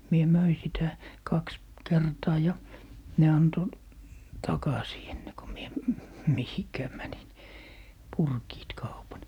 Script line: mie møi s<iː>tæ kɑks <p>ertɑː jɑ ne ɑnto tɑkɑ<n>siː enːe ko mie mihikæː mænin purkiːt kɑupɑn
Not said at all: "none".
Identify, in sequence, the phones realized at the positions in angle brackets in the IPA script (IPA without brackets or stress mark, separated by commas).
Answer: i, k, none